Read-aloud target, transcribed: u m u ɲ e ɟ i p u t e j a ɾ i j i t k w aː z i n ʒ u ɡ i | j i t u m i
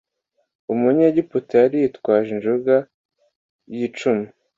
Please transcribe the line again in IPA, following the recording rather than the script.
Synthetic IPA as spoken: u m u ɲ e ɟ i p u t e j a ɾ i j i t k w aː ʒ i n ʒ u ɡ a | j i t͡ʃ u m i